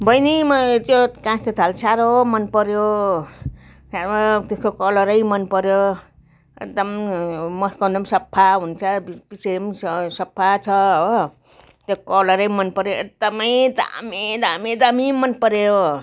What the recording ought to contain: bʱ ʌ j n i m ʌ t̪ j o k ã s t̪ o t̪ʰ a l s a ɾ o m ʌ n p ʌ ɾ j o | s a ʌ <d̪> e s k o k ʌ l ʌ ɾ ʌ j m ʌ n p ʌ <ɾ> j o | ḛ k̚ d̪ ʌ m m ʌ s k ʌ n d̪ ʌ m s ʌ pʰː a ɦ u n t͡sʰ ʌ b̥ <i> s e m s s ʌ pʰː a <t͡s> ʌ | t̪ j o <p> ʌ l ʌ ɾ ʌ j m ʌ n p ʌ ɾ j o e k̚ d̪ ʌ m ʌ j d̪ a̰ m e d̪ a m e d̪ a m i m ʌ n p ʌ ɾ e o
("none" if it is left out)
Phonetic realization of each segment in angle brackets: t̪, ɾ, i, t͡sʰ, k

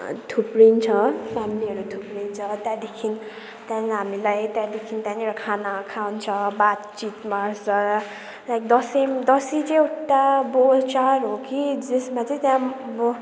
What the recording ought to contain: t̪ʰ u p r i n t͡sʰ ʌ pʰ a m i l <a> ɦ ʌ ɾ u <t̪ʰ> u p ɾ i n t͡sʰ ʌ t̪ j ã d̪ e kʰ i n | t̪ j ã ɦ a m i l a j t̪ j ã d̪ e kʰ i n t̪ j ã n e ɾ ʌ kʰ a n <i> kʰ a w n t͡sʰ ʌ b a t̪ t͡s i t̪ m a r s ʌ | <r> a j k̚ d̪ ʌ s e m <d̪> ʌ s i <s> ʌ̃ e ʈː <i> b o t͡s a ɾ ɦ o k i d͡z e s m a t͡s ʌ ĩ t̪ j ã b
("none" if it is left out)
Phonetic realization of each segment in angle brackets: i, t̪ʰ, a, l, d̪, t͡s, a

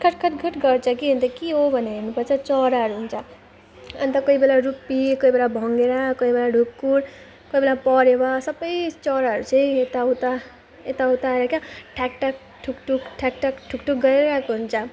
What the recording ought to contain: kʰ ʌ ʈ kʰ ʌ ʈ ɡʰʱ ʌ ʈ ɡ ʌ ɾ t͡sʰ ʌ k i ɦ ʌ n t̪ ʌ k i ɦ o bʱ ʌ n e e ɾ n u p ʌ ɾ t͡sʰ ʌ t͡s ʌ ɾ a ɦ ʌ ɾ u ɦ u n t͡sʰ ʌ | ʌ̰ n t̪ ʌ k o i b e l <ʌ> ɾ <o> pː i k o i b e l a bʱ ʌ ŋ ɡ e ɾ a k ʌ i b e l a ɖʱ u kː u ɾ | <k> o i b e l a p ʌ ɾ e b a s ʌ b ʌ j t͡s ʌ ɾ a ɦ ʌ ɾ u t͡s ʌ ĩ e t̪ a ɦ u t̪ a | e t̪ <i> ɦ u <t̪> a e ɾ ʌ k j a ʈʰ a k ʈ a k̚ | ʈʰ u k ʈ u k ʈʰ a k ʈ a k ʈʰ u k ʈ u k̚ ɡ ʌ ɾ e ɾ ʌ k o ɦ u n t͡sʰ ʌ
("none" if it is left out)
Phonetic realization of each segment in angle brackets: a, u, k, a, t̪

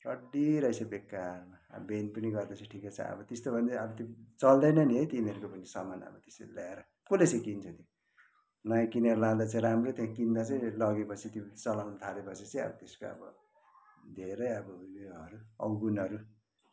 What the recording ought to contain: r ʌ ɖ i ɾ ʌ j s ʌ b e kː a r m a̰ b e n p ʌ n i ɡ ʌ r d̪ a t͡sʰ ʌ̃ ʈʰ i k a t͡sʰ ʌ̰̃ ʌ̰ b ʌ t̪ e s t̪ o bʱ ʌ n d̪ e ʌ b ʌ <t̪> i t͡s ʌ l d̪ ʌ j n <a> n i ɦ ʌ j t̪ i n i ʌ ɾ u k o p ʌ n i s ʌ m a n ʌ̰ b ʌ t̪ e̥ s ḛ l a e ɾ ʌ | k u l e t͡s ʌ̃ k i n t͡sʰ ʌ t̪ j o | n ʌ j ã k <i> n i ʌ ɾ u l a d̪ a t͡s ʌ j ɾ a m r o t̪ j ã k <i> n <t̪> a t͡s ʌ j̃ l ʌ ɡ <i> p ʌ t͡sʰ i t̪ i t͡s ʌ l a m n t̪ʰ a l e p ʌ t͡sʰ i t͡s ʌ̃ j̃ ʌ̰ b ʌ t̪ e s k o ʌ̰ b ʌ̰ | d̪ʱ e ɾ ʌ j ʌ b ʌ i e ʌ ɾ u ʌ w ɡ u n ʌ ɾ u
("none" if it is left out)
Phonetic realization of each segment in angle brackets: t̪, ʌ, i, i, d̪, e

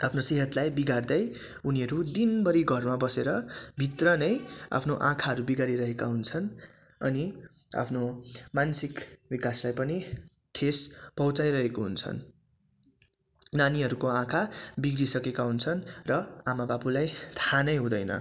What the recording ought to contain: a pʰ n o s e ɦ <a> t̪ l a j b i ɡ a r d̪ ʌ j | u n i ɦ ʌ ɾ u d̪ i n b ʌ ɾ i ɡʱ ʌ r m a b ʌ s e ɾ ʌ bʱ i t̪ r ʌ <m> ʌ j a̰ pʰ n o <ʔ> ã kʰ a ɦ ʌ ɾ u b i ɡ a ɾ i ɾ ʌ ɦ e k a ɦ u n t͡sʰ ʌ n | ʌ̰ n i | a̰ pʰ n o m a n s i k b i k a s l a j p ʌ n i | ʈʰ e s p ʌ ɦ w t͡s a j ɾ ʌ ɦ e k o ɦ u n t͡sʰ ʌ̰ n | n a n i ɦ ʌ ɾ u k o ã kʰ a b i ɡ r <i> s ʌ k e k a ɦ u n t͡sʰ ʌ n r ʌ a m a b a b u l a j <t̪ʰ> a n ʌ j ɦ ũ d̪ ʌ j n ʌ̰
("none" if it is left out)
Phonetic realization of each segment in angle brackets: ʌ, n, ʔ, i, t̪ʰ

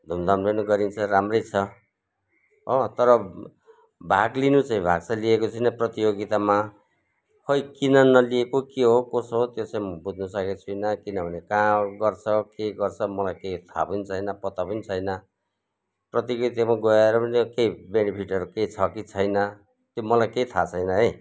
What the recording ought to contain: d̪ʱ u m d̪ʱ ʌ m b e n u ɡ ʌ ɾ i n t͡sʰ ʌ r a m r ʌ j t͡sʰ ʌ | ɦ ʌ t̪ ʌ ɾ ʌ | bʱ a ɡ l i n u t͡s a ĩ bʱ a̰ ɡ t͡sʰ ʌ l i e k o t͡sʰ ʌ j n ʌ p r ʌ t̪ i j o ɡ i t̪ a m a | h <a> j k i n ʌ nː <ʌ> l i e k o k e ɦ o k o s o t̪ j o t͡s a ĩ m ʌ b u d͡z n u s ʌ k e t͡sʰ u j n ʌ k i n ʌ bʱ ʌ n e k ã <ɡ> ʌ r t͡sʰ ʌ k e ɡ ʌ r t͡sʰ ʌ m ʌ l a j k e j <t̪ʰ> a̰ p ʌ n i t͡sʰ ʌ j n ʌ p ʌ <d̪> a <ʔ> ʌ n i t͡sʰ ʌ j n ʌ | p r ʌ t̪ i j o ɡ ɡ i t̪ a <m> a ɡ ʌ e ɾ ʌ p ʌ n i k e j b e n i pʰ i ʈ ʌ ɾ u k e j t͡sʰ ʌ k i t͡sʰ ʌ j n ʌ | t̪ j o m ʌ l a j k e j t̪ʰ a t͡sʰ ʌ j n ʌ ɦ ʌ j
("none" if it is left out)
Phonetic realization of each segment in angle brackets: ʌ, ʌ, ɡ, t̪ʰ, t̪, p, m

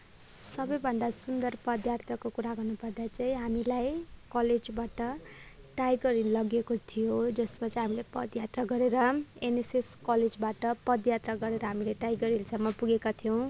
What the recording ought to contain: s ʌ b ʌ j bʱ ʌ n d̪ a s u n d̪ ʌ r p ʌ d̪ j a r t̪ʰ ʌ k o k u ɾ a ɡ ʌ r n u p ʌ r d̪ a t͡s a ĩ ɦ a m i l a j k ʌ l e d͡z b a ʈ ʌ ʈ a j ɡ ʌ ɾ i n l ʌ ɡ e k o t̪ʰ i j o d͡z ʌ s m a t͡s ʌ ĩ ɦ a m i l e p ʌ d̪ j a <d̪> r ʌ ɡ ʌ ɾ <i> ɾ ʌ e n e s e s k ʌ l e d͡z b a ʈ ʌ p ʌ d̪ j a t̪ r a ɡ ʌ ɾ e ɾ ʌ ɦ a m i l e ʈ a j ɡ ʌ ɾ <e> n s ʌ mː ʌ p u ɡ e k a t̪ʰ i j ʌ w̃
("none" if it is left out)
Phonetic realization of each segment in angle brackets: t̪, e, i

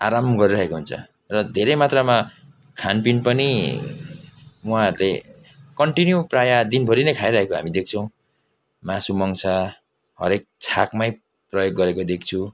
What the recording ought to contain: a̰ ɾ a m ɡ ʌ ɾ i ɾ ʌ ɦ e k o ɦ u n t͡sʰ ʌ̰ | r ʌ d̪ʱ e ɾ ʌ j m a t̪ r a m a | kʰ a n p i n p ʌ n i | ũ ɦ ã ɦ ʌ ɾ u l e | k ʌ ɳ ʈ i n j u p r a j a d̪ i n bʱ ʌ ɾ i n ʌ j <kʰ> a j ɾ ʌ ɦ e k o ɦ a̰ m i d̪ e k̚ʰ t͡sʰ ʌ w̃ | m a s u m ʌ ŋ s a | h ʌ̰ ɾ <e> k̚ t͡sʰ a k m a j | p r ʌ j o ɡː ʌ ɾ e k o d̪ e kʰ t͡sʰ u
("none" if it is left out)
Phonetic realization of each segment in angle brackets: kʰ, e

